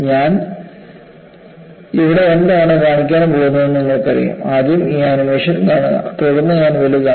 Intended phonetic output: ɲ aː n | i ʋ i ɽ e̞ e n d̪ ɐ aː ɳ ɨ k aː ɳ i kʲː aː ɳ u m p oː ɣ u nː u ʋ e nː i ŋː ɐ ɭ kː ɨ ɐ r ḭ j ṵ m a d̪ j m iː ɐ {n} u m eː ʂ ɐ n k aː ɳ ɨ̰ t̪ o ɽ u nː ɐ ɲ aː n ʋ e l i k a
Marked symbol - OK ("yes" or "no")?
yes